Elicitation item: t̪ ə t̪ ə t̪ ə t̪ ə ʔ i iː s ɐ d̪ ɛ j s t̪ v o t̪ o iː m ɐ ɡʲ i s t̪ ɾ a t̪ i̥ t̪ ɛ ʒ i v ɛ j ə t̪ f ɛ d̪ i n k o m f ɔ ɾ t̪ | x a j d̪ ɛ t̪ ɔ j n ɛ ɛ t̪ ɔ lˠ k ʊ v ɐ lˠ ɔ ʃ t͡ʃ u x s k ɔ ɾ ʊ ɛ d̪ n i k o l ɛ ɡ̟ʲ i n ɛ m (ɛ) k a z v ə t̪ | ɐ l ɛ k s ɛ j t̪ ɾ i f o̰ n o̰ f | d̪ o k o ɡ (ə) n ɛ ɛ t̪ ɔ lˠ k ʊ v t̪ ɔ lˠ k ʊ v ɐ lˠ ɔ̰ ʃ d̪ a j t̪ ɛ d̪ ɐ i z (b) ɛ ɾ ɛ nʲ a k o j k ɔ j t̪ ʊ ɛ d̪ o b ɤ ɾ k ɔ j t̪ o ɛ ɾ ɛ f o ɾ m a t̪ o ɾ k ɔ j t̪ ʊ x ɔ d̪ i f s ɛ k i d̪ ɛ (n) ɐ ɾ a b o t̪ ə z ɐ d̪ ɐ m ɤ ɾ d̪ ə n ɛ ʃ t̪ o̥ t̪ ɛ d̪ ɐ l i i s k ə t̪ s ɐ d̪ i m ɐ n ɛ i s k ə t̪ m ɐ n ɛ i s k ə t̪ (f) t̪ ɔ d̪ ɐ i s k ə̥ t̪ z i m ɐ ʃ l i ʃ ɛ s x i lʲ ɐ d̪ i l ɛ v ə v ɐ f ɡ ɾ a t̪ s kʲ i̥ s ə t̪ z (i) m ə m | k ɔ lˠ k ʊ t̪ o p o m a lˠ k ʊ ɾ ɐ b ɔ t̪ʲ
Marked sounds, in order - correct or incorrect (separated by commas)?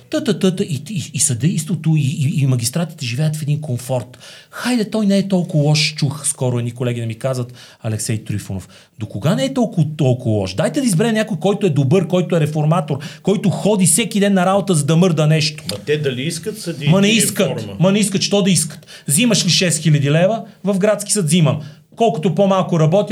incorrect, incorrect, correct, incorrect, incorrect, correct